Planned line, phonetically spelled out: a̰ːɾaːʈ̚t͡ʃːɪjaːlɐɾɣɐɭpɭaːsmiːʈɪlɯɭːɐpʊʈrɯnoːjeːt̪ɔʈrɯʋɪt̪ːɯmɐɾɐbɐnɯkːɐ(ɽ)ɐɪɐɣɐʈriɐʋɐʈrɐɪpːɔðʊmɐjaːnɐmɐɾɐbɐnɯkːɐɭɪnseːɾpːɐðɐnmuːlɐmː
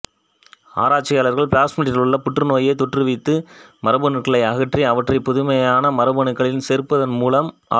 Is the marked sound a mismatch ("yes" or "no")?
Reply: yes